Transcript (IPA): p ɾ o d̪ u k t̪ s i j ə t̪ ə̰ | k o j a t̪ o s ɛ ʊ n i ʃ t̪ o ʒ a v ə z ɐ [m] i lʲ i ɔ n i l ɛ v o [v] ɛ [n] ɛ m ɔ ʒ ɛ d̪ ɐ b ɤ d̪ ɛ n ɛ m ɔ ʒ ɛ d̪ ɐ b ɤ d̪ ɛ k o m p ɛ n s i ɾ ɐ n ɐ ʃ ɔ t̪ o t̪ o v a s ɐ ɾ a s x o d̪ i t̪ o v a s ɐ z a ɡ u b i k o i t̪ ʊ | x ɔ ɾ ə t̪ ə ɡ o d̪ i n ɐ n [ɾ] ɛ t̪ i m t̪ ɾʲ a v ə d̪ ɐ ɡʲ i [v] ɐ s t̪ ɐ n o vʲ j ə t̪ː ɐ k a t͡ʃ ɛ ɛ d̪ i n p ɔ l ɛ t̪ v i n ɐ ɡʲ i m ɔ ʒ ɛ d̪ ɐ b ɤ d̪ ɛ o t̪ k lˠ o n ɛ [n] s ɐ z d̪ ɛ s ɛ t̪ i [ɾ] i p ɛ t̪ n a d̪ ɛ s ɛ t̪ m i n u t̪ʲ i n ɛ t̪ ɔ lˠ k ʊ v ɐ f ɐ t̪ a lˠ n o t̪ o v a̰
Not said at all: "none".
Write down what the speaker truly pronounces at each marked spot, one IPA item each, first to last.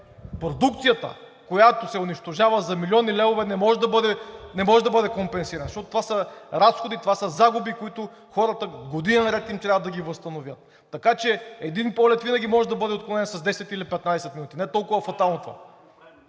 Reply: m, v, n, ɾ, v, n, l

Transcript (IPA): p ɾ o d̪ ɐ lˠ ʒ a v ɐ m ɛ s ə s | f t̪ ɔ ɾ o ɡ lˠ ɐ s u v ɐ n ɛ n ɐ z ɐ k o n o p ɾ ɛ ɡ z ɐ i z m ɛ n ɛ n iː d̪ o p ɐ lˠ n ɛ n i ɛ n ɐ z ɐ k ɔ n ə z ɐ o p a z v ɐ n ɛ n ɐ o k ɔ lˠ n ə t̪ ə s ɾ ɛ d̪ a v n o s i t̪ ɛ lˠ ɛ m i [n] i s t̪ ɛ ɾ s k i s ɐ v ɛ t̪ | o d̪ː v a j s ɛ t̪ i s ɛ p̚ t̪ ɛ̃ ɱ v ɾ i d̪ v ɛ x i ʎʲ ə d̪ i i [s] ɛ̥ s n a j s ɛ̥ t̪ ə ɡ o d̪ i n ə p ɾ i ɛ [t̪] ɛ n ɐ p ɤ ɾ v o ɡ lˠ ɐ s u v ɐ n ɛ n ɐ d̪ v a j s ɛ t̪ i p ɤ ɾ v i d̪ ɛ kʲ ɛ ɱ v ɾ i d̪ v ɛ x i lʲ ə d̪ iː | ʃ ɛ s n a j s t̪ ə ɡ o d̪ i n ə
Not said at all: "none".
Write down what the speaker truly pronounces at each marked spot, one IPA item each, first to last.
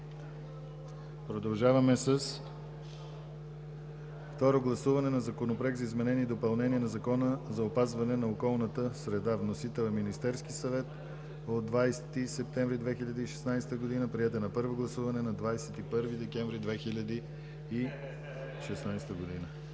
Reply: n, ʃ, t̪

